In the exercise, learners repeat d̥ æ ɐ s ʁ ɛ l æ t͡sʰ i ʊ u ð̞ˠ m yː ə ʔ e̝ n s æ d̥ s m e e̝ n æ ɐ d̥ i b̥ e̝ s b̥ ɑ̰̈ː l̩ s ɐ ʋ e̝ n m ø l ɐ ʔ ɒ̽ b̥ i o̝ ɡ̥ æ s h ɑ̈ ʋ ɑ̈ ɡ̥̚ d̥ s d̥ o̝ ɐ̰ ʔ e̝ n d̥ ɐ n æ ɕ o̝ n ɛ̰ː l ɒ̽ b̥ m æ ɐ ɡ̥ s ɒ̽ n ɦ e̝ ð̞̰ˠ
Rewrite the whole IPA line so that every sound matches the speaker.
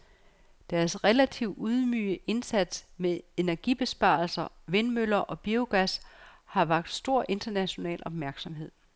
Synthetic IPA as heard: d̥ æ ɐ s ʁ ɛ l æ t͡sʰ i ʊ u ð̞ˠ m yː ə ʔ e̝ n s æ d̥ s m e e̝ n æ ɐ ɡ̥ i b̥ e̝ s b̥ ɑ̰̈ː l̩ s ɐ ʋ e̝ n m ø l ɐ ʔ ɒ̽ b̥ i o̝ ɡ̥ æ s h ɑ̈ ʋ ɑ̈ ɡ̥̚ d̥ s d̥ o̝ ɐ̰ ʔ e̝ n d̥ ɐ n æ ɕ o̝ n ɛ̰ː l ɒ̽ b̥ m æ ɐ ɡ̥ s ɒ̽ m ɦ e̝ ð̞̰ˠ